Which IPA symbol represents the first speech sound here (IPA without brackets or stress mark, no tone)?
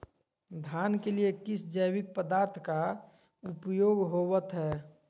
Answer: d̪ʱ